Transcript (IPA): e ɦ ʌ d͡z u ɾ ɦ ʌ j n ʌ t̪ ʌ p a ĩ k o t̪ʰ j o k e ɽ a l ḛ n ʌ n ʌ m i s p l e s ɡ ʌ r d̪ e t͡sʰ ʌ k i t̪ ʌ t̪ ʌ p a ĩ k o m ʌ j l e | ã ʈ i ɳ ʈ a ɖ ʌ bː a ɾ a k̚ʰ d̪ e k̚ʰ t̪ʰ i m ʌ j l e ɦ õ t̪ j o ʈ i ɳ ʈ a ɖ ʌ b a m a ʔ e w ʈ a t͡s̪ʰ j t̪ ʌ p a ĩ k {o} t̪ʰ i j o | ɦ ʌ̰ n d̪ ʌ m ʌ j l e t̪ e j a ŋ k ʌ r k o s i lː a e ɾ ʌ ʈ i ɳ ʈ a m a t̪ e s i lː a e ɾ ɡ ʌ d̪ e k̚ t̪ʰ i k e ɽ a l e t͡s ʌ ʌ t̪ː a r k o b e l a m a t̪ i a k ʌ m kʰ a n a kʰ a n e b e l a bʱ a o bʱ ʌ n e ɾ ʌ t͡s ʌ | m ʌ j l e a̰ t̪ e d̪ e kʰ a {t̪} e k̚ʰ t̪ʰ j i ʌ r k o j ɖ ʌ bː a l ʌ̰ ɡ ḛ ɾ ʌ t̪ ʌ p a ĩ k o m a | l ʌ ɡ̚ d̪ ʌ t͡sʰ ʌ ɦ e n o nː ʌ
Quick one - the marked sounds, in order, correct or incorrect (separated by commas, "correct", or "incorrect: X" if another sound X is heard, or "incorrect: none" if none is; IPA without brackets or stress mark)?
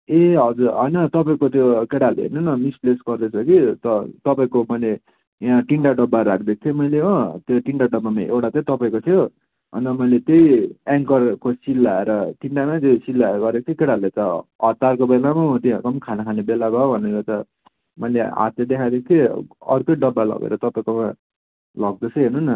correct, incorrect: d̪